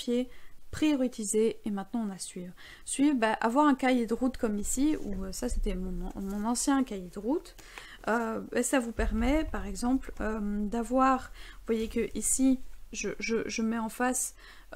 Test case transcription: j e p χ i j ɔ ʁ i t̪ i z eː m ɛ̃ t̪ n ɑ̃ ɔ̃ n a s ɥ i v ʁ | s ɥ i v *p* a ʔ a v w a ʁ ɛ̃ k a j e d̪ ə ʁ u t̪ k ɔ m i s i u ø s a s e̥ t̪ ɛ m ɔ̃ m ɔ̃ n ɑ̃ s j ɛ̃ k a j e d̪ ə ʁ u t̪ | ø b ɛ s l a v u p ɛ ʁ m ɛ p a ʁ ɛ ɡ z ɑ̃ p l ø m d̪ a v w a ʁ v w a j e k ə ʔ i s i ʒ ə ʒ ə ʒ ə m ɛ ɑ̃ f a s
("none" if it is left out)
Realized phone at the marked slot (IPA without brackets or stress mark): b